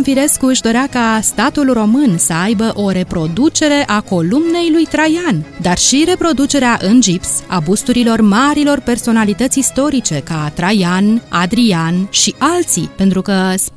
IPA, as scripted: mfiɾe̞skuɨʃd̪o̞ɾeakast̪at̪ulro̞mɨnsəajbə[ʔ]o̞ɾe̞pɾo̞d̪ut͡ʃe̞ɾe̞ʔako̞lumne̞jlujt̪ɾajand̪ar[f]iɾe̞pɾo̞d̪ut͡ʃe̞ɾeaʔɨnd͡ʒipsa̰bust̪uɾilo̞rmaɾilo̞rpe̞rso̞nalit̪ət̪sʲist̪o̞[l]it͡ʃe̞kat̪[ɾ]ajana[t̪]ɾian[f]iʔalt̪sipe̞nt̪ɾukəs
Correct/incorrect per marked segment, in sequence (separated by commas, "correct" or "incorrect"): correct, incorrect, incorrect, correct, incorrect, incorrect